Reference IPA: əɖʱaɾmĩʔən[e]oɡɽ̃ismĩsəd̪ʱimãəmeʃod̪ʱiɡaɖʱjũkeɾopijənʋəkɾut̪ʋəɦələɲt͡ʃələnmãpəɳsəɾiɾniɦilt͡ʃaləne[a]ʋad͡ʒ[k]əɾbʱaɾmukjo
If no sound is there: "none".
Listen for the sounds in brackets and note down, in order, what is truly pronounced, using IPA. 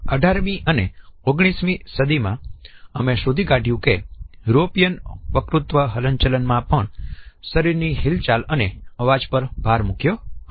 e, ə, p

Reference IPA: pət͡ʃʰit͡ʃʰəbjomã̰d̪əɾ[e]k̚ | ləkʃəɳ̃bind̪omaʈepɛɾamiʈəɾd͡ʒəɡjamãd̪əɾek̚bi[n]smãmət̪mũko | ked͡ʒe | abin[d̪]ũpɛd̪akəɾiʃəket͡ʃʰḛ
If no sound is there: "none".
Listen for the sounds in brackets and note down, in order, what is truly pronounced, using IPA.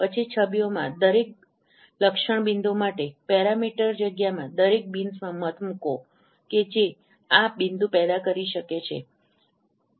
e, n, d̪

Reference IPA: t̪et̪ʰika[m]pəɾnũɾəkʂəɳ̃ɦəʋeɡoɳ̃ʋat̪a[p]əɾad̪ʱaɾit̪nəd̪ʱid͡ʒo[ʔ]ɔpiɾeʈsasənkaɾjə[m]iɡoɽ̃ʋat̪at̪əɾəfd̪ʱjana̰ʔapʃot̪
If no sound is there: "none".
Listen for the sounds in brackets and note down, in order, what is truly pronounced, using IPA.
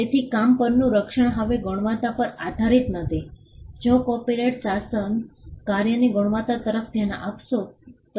m, p, k, n

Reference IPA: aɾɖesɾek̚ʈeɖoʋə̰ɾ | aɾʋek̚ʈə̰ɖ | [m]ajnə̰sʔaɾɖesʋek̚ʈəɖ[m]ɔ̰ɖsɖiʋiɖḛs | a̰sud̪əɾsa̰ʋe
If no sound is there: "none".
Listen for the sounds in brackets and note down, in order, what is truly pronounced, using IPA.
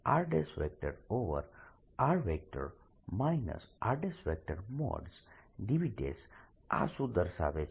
m, m

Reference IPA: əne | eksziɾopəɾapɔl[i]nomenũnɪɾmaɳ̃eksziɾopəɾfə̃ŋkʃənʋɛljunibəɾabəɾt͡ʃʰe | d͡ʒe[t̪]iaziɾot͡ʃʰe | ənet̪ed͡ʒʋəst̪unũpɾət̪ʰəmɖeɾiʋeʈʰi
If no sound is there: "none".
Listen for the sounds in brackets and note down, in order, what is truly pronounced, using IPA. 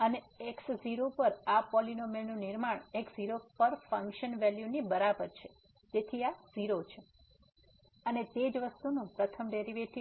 i, t̪ʰ

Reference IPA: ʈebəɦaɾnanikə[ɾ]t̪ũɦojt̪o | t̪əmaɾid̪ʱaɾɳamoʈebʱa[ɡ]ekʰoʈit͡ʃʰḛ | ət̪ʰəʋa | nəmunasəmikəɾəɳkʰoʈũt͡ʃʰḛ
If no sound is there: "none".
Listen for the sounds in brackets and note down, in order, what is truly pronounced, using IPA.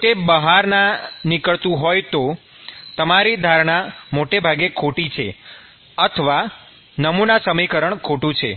ɭ, ɡ

